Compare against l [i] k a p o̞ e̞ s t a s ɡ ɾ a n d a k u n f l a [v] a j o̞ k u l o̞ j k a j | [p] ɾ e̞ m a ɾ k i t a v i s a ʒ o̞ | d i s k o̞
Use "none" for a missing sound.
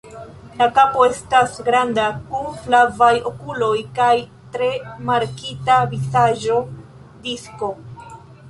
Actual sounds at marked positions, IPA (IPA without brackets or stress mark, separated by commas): a, v, t